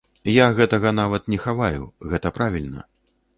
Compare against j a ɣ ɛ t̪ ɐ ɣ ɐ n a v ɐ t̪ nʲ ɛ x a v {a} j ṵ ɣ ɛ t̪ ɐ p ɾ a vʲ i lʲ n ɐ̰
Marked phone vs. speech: correct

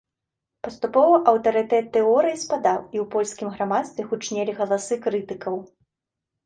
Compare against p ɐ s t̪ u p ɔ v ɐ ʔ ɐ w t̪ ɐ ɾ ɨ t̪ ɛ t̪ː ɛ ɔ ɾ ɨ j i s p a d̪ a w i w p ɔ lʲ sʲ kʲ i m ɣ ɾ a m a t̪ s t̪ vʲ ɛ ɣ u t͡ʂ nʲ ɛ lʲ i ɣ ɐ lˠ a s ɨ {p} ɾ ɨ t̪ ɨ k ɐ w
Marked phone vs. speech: incorrect: k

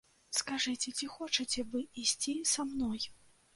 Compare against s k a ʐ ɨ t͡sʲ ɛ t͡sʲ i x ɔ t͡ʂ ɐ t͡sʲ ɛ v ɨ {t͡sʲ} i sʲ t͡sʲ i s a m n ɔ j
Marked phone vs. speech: incorrect: none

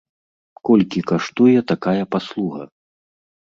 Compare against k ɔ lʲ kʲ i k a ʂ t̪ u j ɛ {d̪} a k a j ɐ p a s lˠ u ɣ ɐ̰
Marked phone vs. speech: incorrect: t̪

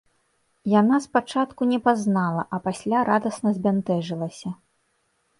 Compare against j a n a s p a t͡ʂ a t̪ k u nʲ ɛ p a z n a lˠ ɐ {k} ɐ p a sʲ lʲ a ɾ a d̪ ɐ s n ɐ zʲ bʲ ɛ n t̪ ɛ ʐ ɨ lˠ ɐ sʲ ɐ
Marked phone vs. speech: incorrect: ʔ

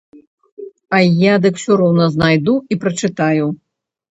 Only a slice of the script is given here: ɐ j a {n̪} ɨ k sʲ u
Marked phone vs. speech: incorrect: d̪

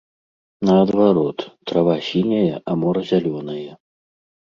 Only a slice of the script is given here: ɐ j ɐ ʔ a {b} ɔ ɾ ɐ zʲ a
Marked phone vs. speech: incorrect: m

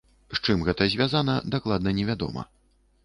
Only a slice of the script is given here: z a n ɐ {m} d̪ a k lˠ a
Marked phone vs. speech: incorrect: none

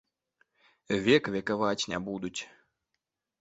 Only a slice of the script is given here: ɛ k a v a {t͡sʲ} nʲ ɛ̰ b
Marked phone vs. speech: correct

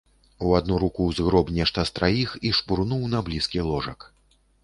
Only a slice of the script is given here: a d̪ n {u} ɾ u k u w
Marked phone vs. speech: correct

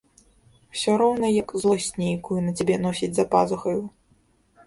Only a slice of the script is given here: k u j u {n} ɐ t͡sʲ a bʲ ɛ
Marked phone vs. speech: correct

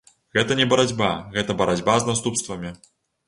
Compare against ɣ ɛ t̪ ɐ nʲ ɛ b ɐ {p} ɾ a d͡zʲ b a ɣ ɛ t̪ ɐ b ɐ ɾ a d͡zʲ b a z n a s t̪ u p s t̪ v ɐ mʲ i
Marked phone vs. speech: incorrect: none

